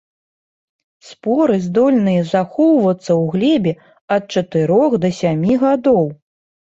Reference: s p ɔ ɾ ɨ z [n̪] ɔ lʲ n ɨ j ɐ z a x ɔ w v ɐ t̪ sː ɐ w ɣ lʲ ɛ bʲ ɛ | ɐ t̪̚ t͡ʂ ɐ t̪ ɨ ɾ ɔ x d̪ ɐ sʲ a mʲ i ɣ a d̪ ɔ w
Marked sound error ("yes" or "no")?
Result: yes